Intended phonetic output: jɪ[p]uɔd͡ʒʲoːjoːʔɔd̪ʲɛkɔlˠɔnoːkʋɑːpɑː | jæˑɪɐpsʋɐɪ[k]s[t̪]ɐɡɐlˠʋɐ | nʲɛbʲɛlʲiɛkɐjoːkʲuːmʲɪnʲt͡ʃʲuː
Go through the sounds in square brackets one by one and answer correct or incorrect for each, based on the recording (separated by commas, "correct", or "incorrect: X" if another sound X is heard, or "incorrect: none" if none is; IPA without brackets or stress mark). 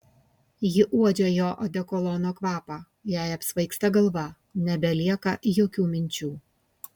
incorrect: ʔ, correct, correct